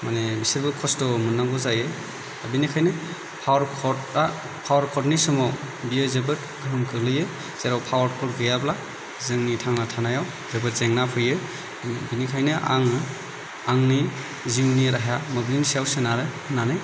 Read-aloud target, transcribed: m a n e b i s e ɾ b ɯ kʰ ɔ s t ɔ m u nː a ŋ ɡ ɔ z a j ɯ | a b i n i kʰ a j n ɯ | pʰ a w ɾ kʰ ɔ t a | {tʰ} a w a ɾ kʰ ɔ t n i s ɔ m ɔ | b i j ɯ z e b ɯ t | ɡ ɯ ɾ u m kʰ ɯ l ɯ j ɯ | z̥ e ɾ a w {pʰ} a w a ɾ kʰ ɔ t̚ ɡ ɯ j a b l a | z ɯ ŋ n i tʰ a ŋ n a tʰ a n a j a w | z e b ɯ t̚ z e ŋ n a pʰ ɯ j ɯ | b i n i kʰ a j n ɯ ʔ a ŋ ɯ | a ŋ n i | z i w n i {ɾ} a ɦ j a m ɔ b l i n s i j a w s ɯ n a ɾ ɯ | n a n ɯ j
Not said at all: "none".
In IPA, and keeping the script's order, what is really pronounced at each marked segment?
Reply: pʰ, pʰ, ɾ

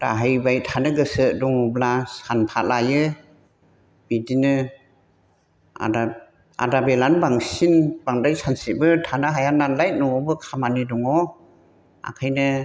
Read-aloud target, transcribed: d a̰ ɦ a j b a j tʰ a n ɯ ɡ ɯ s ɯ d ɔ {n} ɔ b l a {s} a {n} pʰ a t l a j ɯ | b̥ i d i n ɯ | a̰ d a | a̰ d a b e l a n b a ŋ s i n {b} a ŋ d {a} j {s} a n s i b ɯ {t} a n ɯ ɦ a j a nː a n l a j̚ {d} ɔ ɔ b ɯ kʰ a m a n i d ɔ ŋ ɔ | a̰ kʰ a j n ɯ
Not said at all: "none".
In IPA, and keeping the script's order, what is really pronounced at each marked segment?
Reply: ŋ, s, n, b, a, s, tʰ, n

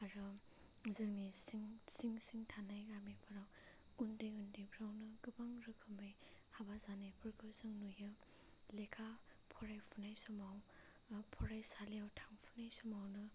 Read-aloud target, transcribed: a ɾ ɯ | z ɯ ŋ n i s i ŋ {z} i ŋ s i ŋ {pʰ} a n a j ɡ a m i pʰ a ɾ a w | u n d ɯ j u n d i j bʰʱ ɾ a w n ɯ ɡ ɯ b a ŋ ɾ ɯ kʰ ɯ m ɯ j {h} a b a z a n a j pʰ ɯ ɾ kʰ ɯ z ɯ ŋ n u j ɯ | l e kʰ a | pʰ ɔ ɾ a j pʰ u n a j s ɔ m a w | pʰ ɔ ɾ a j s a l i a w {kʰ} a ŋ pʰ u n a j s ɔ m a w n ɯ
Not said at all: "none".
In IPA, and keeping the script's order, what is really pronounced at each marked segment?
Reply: s, tʰ, h, tʰ

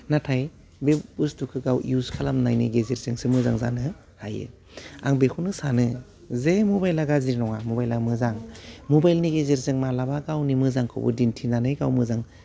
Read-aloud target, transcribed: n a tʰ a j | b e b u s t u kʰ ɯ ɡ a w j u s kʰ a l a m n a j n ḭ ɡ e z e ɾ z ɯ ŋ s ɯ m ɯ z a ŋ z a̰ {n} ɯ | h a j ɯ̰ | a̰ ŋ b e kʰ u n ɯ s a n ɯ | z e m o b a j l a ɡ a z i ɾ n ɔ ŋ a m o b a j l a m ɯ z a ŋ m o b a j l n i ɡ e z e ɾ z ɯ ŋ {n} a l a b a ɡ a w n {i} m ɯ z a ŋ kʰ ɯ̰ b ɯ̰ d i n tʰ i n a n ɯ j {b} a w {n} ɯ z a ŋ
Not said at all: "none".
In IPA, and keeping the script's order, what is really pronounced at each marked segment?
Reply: n, m, i, ɡ, m

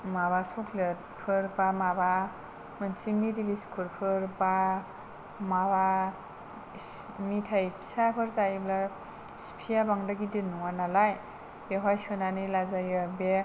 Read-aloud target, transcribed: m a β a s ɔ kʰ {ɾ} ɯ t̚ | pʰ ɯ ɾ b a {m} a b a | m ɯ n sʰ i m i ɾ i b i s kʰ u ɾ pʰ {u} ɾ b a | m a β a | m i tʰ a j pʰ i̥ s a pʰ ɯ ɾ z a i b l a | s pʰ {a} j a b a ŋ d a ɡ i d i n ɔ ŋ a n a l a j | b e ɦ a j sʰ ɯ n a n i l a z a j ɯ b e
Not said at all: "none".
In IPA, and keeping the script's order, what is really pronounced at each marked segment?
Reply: l, m, ɯ, i

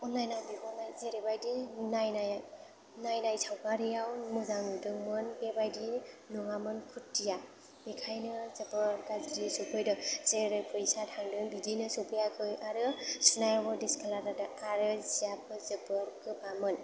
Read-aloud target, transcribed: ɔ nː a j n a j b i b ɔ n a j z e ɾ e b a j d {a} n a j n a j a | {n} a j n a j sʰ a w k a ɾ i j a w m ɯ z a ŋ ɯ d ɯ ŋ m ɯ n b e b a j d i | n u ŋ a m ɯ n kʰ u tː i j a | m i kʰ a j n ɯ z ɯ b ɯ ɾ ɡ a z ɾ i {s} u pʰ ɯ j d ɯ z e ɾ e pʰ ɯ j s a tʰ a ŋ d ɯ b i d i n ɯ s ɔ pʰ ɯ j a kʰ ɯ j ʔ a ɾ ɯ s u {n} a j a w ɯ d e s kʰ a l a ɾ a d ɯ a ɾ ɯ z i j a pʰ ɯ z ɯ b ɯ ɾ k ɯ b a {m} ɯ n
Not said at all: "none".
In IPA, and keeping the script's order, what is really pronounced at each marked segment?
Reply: i, n, s, n, m

